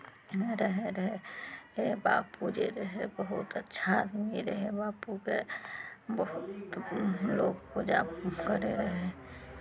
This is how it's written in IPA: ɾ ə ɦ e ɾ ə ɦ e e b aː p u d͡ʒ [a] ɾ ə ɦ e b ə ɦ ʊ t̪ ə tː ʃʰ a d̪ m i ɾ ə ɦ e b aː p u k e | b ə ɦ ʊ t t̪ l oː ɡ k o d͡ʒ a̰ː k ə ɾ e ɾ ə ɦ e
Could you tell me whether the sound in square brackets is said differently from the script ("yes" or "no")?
yes